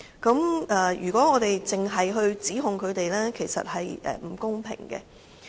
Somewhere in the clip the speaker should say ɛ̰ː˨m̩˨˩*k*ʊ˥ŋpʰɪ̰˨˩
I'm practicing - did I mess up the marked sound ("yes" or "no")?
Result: no